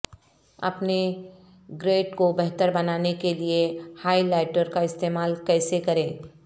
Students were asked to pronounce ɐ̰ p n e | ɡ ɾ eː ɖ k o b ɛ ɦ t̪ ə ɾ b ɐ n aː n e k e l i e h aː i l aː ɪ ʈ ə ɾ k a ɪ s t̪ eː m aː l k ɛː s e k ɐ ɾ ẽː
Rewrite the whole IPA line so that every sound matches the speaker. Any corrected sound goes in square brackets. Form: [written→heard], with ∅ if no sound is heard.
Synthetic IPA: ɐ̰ p n e | ɡ ɾ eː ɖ k o b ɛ ɦ t̪ ə ɾ b ɐ n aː n e k e l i e h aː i l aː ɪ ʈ ə ɾ k a ɪ s t̪ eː m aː l k ɛː s e k ɐ ɾ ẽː